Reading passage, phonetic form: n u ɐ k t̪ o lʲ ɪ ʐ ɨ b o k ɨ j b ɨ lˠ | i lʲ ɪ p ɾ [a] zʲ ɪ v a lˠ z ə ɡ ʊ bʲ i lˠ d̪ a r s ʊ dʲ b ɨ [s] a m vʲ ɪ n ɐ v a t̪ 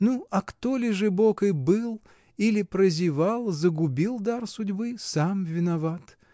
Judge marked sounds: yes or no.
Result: no, yes

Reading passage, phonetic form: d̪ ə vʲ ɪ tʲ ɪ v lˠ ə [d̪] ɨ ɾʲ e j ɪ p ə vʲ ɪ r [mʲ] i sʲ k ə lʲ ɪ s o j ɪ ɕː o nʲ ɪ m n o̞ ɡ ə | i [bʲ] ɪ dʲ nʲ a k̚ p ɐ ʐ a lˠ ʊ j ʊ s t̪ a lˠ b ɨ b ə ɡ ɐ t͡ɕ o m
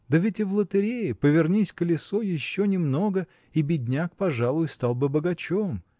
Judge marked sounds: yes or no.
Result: no, no, yes

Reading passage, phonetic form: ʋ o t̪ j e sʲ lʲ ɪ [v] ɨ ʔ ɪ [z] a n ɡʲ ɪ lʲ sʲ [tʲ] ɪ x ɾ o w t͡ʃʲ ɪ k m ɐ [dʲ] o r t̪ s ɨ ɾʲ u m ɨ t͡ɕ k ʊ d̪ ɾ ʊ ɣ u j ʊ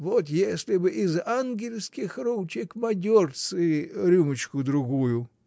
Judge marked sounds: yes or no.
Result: no, yes, no, yes

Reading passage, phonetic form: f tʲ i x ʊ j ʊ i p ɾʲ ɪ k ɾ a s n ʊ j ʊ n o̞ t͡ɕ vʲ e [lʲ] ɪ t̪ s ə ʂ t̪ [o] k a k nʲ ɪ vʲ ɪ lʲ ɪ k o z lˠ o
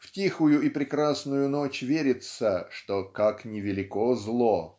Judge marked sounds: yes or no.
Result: no, yes

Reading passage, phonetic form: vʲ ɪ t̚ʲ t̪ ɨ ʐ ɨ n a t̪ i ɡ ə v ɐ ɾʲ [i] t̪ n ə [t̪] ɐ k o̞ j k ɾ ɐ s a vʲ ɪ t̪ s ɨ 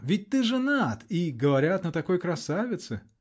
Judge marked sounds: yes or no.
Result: no, yes

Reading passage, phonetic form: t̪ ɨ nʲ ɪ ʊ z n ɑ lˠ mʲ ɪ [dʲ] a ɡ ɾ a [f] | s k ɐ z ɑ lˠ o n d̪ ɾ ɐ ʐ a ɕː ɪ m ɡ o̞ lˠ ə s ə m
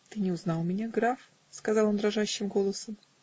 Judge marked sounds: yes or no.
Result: no, yes

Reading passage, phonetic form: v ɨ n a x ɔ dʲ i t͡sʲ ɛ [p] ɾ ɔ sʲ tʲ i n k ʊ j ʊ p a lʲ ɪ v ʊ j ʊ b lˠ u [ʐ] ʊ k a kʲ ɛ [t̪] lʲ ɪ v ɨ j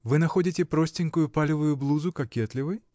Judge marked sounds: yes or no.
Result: yes, no, yes

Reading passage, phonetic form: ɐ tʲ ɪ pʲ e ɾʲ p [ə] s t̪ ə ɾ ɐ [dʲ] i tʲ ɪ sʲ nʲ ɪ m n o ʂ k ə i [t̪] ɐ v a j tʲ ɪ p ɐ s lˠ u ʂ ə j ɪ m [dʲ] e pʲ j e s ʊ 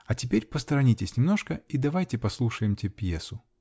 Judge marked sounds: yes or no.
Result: yes, no, no, no

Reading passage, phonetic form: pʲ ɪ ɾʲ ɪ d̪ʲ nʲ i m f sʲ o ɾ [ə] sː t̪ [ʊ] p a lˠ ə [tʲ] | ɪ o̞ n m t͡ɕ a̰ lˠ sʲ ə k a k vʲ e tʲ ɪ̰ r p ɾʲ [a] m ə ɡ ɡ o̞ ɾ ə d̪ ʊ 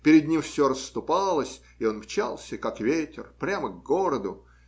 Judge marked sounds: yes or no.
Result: yes, yes, no, yes

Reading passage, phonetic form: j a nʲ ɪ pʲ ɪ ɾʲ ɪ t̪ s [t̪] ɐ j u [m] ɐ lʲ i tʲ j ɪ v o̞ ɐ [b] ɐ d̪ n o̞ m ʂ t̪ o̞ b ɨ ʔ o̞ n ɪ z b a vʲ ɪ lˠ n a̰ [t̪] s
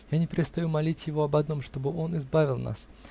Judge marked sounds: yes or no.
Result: yes, yes, yes, no

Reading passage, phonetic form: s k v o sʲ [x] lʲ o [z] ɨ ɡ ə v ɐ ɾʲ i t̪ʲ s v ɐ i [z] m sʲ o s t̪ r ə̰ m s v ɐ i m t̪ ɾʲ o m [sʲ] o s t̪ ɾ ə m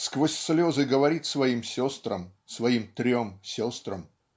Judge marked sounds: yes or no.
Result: no, yes, no, yes

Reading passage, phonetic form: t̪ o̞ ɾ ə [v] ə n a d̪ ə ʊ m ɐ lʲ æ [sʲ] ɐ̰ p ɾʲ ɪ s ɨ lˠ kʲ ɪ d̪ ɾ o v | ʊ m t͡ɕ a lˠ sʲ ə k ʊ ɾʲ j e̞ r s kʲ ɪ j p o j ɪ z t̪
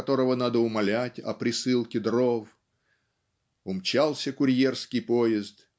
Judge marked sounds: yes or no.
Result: yes, no

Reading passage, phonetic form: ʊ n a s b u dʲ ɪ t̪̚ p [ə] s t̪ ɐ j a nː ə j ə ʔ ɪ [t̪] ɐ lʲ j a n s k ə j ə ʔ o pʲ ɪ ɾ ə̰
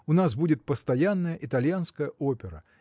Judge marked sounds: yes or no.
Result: yes, yes

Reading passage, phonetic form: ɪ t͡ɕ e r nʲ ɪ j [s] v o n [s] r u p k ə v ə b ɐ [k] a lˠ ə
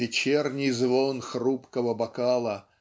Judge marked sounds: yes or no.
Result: no, no, yes

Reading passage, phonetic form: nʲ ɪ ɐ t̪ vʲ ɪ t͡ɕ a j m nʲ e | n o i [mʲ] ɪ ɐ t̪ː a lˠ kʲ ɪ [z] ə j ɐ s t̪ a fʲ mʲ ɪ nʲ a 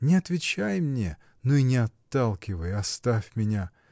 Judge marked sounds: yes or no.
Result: no, no

